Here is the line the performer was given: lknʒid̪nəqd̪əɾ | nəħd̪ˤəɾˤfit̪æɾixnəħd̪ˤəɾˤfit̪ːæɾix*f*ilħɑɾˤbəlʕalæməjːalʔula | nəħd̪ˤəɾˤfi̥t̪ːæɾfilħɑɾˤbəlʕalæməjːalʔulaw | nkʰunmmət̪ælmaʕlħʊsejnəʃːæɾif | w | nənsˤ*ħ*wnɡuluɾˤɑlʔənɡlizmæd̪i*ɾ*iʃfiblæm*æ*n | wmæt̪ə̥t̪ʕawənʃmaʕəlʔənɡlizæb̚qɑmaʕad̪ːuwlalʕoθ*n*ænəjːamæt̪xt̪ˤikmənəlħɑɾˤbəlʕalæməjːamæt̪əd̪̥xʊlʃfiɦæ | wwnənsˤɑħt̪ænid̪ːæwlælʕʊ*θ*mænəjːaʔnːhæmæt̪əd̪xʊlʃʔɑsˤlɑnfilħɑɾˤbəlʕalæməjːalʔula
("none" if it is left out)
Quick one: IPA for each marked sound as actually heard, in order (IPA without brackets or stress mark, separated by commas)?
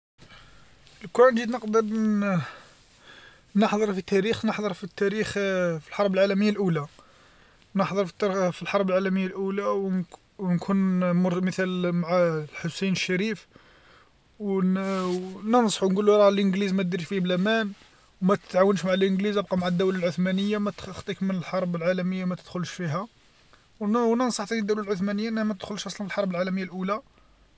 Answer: f, ħ, ɾ, æ, m, θ